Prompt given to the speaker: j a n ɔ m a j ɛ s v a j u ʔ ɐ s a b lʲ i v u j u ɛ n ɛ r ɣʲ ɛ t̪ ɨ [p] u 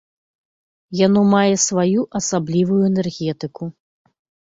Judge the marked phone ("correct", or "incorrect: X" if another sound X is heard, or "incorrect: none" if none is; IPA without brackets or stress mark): incorrect: k